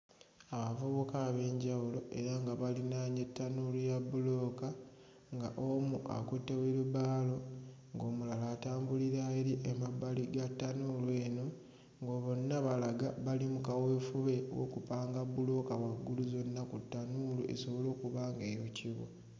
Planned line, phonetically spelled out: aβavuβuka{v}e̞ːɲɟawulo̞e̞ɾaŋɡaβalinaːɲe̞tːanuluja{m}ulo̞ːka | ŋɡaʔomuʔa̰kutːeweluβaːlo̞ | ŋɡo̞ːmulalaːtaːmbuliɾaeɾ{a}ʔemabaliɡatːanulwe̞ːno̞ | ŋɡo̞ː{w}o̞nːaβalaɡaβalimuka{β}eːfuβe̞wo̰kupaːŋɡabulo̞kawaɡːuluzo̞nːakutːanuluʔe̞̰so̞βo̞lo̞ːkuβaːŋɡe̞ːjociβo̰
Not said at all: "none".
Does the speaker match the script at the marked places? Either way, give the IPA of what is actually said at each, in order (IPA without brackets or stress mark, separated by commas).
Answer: β, b, i, β, w